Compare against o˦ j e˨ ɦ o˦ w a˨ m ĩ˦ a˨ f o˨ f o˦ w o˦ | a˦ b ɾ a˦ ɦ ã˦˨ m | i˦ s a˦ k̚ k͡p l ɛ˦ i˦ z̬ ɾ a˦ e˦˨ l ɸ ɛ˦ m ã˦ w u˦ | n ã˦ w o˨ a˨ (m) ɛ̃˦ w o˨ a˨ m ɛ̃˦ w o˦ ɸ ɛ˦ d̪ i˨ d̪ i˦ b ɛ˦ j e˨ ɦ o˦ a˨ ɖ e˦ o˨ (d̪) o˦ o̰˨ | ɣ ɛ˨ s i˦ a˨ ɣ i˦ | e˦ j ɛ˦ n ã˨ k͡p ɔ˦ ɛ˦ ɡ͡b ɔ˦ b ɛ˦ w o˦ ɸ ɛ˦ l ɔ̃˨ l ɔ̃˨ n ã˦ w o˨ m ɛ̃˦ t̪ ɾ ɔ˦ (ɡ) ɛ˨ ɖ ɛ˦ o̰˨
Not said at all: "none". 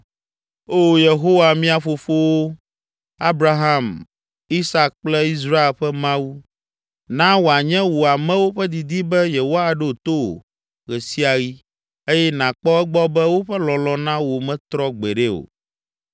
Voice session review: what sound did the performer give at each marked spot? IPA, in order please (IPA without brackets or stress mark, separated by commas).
ɲ, t̪, ɡ͡b